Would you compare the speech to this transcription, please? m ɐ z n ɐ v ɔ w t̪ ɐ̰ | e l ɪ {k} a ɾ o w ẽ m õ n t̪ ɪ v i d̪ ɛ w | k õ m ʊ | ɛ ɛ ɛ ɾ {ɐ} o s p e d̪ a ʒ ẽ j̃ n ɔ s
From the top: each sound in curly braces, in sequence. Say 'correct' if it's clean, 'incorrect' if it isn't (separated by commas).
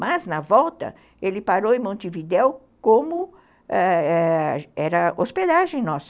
incorrect, correct